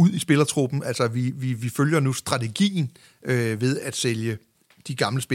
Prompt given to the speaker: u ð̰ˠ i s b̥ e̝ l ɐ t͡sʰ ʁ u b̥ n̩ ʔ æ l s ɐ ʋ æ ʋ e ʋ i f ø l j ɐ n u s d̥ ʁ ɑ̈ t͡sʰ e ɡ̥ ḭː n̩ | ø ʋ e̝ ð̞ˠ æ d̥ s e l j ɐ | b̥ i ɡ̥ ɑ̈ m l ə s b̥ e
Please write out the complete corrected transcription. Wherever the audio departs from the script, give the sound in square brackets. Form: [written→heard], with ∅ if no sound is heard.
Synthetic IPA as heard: u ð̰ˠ i s b̥ e̝ l ɐ t͡sʰ ʁ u b̥ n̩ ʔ æ l s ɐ ʋ [æ→i] ʋ [e→i] ʋ i f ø l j ɐ n u s d̥ ʁ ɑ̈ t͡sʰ e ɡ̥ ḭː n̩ | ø ʋ e̝ ð̞ˠ æ d̥ s e l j [ɐ→ə] | [b̥→d̥] i ɡ̥ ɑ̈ m l ə s b̥ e